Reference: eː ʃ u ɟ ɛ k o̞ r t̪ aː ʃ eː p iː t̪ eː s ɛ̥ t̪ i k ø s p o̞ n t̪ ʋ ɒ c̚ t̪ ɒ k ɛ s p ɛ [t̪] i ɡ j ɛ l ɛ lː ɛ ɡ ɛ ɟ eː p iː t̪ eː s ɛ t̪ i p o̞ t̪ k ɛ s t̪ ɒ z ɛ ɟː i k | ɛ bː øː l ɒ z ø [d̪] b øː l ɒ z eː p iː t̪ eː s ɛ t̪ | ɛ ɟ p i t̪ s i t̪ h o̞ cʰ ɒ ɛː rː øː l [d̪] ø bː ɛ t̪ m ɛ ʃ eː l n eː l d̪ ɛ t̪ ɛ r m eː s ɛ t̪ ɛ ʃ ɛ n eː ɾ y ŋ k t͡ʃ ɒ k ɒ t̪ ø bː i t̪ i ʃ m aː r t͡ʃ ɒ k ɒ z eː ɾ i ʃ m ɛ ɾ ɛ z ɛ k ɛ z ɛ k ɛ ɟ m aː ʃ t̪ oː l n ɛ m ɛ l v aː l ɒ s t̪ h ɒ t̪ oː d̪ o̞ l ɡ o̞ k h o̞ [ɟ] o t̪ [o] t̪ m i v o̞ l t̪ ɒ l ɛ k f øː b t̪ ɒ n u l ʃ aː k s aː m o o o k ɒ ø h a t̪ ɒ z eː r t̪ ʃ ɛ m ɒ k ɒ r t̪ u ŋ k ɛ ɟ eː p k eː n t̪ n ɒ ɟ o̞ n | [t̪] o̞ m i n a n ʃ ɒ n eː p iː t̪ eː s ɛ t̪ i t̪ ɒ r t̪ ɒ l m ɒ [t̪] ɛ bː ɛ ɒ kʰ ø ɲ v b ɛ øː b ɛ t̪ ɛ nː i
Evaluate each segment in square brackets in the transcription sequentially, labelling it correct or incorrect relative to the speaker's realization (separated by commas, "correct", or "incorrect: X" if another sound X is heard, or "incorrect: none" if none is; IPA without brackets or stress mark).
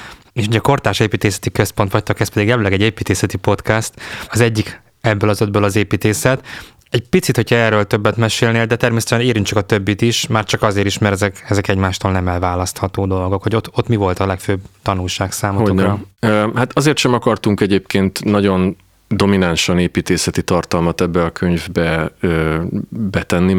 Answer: incorrect: d̪, correct, incorrect: t̪, correct, correct, incorrect: d̪, correct